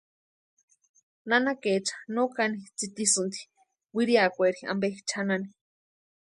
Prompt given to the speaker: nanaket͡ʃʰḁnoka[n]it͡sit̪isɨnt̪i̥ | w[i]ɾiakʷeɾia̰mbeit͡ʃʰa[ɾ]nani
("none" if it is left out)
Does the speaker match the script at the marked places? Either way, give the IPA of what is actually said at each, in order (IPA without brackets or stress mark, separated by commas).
n, i, none